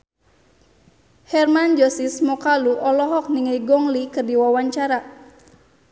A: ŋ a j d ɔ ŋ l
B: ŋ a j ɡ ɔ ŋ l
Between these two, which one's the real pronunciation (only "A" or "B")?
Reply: B